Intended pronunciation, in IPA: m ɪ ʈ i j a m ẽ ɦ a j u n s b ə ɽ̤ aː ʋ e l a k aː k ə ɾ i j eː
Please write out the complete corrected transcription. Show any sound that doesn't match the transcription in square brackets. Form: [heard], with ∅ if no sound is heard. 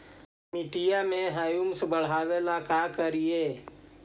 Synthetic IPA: m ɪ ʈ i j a m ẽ ɦ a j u [m] s b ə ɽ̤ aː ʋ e l a k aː k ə ɾ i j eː